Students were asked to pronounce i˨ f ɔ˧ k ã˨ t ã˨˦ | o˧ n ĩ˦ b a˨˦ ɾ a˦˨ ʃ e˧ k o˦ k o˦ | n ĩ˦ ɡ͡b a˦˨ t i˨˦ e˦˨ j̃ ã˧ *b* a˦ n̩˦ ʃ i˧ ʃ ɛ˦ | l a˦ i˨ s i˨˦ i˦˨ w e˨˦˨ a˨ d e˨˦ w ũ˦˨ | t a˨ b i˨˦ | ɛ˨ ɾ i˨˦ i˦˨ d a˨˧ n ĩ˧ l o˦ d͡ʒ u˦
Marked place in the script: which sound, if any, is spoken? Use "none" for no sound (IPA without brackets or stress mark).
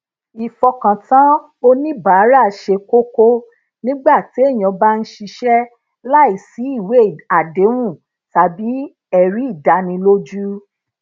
b